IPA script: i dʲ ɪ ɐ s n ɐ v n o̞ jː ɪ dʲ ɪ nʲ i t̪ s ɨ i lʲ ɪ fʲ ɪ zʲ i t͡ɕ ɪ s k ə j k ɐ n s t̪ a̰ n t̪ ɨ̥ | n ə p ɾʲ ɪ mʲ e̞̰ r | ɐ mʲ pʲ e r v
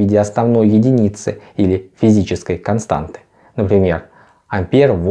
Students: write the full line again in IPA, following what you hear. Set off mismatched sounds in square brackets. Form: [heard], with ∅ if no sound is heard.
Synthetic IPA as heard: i dʲ ɪ ɐ s n ɐ v n o̞ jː ɪ dʲ ɪ nʲ i t̪ s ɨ i lʲ ɪ fʲ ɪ zʲ i t͡ɕ ɪ s k ə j k ɐ n s t̪ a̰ n t̪ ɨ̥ | n ə p ɾʲ ɪ mʲ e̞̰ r | ɐ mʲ pʲ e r v